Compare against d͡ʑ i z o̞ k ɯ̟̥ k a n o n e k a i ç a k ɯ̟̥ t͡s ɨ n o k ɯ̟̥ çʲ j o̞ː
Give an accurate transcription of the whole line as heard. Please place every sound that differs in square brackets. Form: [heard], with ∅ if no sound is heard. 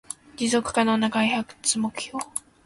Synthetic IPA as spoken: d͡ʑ i z o̞ k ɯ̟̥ k a n o n [a] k a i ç a k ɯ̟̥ t͡s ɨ [m] o k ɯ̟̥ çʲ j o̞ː